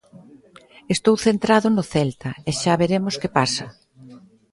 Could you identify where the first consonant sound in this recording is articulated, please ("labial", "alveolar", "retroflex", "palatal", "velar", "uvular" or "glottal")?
alveolar